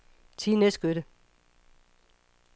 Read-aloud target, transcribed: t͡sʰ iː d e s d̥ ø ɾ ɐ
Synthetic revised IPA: t͡sʰ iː n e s ɡ̥ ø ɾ ə